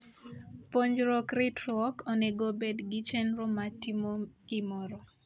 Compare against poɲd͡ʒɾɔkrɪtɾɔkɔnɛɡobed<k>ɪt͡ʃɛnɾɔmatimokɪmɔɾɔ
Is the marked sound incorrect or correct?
incorrect: ɡ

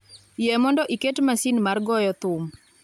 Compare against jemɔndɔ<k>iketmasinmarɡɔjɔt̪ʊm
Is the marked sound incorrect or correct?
incorrect: ʔ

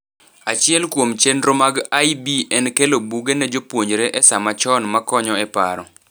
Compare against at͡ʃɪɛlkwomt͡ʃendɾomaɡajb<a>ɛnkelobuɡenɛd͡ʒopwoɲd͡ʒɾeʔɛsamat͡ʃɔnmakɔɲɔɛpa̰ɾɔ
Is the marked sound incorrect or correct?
incorrect: i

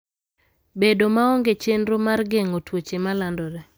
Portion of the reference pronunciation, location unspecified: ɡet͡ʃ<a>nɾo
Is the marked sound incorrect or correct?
incorrect: e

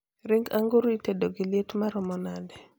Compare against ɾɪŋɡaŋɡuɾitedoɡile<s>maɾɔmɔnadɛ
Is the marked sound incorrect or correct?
incorrect: t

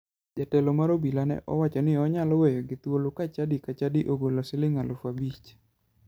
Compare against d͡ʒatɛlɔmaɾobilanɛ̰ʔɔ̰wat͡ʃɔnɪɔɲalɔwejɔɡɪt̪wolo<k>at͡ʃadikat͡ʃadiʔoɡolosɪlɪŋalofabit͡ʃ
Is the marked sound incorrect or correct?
correct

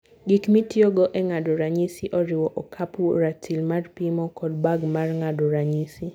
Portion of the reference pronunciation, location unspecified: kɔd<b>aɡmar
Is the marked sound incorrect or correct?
correct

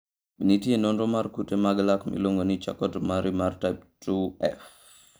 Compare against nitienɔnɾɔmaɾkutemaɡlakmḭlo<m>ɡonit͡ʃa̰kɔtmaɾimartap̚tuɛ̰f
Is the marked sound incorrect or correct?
incorrect: ŋ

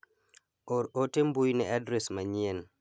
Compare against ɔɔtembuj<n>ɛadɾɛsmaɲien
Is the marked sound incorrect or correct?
correct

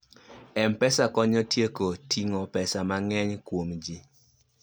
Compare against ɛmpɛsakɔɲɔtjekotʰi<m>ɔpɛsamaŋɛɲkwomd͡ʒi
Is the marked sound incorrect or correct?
incorrect: ŋ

